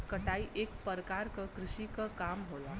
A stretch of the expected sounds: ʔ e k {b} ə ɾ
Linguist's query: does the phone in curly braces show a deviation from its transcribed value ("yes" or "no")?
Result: yes